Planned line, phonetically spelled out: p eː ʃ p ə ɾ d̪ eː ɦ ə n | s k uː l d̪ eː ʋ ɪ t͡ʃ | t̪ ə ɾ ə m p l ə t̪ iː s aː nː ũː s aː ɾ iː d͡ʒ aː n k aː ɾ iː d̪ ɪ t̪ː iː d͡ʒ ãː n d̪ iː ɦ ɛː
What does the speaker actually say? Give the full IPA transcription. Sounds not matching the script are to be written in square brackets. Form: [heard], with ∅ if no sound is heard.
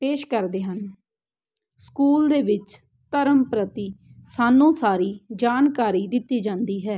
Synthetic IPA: p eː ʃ [k] ə ɾ d̪ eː ɦ ə n | s k uː l d̪ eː ʋ ɪ t͡ʃ | t̪ ə ɾ ə m p [ɾ] ə t̪ iː s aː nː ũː s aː ɾ iː d͡ʒ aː n k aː ɾ iː d̪ ɪ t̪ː iː d͡ʒ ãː n d̪ iː ɦ ɛː